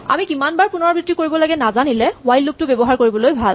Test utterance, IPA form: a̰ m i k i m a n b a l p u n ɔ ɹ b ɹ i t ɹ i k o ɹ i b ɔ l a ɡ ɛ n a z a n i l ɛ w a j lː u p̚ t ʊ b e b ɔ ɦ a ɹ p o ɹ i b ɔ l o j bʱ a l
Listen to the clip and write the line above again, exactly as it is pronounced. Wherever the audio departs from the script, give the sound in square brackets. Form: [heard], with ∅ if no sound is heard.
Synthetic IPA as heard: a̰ m i k i m a n b a [ɹ] p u n ɔ ɹ b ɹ i t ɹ i k o ɹ i b ɔ l a ɡ ɛ n a z a n i l ɛ w a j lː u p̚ t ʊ b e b ɔ ɦ a ɹ [k] o ɹ i b ɔ l o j bʱ a l